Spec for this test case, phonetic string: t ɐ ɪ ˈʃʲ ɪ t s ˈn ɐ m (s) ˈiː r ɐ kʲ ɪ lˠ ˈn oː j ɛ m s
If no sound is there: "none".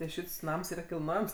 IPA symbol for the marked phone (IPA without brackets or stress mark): s